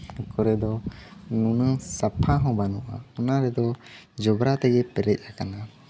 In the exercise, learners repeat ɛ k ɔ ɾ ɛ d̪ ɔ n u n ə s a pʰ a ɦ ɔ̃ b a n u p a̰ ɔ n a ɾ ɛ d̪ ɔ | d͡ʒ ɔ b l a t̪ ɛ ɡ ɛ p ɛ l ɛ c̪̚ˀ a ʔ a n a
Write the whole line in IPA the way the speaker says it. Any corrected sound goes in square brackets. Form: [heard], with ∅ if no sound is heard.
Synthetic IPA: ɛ k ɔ ɾ ɛ d̪ ɔ n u n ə s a pʰ a ɦ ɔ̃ b a n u [ʔ] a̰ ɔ n a ɾ ɛ d̪ ɔ | d͡ʒ ɔ b [ɾ] a t̪ ɛ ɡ ɛ p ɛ [ɾ] ɛ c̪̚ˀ a [k] a n a